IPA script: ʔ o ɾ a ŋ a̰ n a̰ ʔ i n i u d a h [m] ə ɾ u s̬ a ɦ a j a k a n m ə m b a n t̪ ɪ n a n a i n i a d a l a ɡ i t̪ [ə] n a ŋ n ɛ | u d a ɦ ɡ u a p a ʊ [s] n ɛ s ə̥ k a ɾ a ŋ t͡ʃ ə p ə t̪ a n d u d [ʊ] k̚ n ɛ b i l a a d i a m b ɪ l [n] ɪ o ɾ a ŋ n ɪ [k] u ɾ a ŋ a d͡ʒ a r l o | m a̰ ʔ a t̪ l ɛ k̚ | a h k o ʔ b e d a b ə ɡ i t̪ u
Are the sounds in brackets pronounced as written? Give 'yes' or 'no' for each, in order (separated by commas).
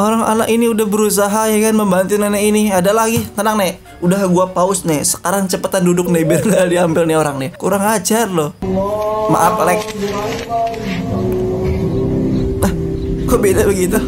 no, yes, yes, yes, yes, yes